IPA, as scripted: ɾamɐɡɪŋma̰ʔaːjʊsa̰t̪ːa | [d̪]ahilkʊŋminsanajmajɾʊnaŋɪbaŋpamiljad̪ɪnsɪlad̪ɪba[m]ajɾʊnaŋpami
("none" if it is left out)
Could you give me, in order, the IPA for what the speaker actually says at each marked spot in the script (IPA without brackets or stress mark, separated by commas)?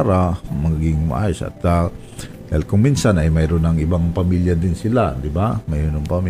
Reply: d̪, m